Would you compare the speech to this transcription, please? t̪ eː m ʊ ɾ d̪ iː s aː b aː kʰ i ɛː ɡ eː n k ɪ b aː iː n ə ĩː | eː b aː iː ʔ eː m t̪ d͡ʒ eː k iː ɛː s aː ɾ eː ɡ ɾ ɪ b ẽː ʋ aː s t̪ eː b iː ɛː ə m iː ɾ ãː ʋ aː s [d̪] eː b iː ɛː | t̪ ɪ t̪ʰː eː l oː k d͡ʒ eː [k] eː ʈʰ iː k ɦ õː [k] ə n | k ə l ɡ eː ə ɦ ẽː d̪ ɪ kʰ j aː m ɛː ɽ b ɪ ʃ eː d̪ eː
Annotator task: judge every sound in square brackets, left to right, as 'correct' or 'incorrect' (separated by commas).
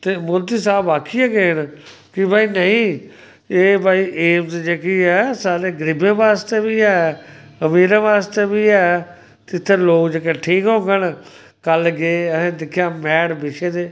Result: incorrect, correct, incorrect